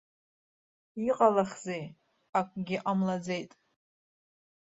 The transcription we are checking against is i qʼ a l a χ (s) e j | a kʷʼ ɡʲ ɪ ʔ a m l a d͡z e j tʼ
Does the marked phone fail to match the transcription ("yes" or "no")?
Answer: yes